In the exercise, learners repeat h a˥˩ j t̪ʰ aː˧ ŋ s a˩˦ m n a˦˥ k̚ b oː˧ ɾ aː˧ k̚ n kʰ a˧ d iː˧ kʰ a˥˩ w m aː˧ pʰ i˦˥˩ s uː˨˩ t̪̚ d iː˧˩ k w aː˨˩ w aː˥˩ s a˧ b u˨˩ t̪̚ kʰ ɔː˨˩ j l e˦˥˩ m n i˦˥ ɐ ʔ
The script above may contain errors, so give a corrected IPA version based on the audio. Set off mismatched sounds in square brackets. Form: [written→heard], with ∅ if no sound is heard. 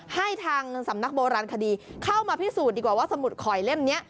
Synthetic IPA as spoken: h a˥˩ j t̪ʰ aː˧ ŋ s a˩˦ m n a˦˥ k̚ b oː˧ ɾ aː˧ [k̚→∅] n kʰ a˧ d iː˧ kʰ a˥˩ w m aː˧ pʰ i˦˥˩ s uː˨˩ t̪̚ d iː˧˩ k w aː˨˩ w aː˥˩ s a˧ [b→m] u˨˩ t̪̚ kʰ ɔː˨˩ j l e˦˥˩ m n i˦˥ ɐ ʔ